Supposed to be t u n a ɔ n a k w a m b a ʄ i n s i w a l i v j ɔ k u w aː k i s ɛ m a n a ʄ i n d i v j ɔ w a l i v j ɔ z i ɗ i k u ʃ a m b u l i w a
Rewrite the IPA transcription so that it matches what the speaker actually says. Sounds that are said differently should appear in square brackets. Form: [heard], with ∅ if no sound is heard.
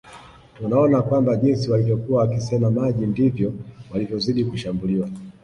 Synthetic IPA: t u n a ɔ n a k w a m b a ʄ i n s i w a l i v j ɔ k u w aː k i s ɛ m a [m] a ʄ i n d i v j ɔ w a l i v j ɔ z i ɗ i k u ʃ a m b u l i w a